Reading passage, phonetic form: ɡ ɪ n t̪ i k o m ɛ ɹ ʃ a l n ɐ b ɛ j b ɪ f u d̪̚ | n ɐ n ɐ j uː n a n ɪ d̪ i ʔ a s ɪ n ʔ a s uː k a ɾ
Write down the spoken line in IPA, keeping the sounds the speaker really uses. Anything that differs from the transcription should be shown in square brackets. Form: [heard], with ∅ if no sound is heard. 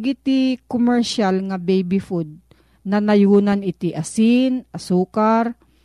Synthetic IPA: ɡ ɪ [∅] t̪ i k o m ɛ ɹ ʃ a l [ŋ] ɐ b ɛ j b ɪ f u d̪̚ | n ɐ n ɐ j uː n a n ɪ [t̪] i ʔ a s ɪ n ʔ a s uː k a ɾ